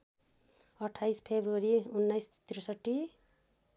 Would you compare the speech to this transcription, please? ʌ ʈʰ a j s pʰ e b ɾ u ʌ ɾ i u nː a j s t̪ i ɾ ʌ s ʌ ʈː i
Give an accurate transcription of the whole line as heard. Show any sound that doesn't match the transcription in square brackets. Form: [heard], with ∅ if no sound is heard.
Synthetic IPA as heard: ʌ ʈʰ a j s pʰ e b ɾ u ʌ ɾ i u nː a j s t̪ i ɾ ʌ s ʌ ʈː i

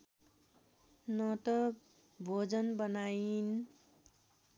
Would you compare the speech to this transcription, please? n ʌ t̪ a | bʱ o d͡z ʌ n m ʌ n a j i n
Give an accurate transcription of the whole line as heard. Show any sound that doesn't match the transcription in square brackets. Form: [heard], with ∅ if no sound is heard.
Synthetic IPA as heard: n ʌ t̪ [ʌ] | bʱ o d͡z ʌ n [b] ʌ n a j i n

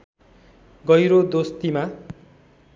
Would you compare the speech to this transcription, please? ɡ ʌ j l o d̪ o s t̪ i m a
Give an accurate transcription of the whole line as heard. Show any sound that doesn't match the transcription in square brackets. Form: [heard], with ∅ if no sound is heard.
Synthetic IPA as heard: ɡ ʌ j [ɾ] o d̪ o s t̪ i m a

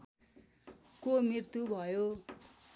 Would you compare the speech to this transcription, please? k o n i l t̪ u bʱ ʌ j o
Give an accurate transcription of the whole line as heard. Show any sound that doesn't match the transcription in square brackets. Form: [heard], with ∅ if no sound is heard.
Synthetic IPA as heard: k o [m] i [r] t̪ u bʱ ʌ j o

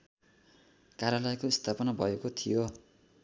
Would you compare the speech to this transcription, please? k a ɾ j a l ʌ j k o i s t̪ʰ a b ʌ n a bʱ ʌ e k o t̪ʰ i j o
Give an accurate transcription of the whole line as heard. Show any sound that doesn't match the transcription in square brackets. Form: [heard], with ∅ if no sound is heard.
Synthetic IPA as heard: k a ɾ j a l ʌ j k o i s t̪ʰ a [p] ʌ n a bʱ ʌ e k o t̪ʰ i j o

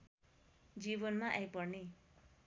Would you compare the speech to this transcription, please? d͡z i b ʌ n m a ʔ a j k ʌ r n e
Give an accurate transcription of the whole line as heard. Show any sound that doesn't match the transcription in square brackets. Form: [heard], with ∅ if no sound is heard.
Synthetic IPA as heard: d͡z i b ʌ n m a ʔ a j [p] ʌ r n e

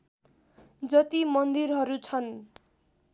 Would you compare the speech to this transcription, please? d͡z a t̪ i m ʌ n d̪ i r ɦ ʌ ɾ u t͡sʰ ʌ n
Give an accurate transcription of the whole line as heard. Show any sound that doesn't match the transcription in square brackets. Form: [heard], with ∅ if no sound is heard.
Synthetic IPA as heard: d͡z [ʌ] t̪ i m ʌ n d̪ i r ɦ ʌ ɾ u t͡sʰ ʌ n

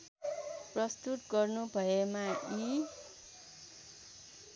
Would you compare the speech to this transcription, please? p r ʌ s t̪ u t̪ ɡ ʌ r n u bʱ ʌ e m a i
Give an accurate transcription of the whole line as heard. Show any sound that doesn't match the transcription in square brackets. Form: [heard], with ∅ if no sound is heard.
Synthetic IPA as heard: p r ʌ s t̪ u t̪ ɡ ʌ r n u bʱ ʌ e m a i

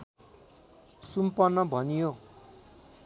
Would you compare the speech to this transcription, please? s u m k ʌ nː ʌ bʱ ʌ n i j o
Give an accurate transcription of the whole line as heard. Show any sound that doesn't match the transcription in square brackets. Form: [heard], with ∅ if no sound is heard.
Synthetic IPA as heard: s u m [p] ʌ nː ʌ bʱ ʌ n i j o

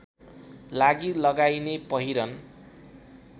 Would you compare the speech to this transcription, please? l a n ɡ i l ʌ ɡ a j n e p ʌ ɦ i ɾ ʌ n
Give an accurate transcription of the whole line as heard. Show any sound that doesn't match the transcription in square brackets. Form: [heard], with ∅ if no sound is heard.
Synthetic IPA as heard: l a [∅] ɡ i l ʌ ɡ a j n e p ʌ ɦ i ɾ ʌ n

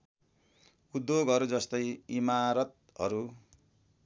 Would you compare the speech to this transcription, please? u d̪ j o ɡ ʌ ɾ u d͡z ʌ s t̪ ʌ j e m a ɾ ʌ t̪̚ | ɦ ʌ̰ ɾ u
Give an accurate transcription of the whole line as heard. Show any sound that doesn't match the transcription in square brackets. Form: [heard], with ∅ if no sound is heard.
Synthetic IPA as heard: u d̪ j o ɡ ʌ ɾ u d͡z ʌ s t̪ ʌ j [i] m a ɾ ʌ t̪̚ | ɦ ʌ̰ ɾ u

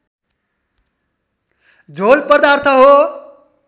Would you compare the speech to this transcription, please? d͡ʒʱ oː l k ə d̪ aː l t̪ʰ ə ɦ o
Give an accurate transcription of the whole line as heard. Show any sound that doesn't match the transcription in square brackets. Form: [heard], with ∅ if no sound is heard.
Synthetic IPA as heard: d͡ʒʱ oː l [p] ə d̪ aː [ɾ] t̪ʰ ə ɦ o

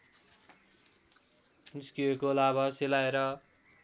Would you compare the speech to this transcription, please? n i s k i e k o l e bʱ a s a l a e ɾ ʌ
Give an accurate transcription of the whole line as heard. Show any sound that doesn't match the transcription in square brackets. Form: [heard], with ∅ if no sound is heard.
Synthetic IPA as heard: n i s k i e k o l [a] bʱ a s [e] l a e ɾ ʌ

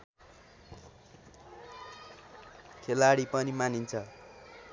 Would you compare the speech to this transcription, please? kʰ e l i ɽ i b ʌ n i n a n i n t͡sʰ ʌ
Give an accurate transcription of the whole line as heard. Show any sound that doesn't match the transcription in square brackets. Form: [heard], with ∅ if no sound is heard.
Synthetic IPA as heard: kʰ e l [a] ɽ i [p] ʌ n i [m] a n i n t͡sʰ ʌ

